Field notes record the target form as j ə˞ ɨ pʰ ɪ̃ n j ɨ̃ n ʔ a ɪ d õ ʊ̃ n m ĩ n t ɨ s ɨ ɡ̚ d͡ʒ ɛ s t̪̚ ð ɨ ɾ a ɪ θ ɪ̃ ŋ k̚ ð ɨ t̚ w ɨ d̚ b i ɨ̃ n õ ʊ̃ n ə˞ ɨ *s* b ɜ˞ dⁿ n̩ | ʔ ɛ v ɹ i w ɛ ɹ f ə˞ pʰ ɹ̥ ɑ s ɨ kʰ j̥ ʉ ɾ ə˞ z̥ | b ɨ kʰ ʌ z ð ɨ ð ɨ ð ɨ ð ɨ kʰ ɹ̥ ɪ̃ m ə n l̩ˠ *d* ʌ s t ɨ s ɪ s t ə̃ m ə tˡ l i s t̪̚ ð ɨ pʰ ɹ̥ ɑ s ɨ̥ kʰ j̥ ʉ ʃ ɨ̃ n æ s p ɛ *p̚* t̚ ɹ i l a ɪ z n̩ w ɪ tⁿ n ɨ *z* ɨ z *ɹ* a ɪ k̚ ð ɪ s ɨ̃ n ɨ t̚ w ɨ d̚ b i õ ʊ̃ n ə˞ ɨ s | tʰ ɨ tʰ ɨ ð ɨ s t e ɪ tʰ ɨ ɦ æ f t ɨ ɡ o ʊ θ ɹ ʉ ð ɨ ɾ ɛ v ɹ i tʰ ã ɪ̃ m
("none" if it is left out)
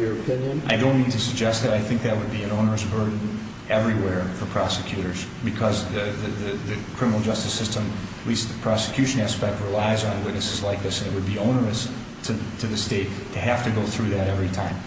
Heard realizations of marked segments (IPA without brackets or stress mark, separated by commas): s, d͡ʒ, k̚, s, l